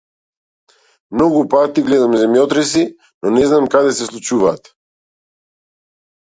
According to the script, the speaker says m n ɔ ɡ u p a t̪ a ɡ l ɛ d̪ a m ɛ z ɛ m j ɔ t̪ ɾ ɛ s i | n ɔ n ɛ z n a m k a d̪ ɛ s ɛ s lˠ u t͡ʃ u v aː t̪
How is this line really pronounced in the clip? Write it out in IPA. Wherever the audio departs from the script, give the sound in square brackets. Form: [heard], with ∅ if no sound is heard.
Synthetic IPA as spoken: m n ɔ ɡ u p a t̪ [i] ɡ l ɛ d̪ a m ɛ z ɛ m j ɔ t̪ ɾ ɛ s i | n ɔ n ɛ z n a m k a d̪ ɛ s ɛ s lˠ u t͡ʃ u v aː t̪